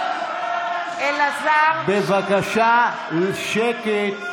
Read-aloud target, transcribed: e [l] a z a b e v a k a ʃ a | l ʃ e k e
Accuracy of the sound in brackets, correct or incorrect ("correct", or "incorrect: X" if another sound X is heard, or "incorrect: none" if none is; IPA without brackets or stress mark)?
correct